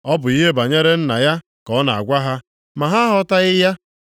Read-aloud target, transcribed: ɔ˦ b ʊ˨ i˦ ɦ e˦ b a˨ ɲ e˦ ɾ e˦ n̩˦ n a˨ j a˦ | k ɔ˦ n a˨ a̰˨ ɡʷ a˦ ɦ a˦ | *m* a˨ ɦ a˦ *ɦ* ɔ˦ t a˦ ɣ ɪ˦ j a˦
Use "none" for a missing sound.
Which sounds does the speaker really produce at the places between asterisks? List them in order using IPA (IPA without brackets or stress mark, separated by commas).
m, ɦ